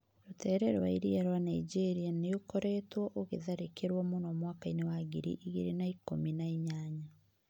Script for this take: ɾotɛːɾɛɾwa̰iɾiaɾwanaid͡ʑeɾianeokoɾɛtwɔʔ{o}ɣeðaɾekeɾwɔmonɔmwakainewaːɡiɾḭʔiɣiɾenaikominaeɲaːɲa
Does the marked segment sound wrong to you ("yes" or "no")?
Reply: no